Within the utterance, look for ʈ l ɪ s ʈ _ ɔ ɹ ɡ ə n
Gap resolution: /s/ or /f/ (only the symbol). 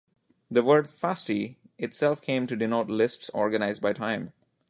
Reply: s